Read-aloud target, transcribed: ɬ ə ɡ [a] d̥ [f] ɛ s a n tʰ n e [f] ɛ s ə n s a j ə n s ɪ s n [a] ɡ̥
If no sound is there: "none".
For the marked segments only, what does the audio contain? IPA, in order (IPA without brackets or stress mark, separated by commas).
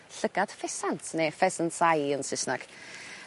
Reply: a, f, f, a